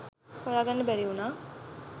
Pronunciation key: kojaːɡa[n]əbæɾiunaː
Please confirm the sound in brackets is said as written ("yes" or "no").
no